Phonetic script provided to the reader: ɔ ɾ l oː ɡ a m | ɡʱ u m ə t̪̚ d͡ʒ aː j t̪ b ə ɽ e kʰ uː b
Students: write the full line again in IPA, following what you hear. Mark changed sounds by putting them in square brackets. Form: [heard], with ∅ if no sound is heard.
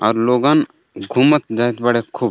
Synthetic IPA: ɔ ɾ l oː ɡ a [n] | ɡʱ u m ə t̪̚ d͡ʒ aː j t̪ b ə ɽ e kʰ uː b